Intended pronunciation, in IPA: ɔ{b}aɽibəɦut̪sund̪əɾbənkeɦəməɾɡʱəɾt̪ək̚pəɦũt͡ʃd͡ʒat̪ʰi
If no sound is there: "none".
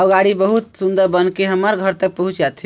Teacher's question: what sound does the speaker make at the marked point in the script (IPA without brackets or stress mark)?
ɡ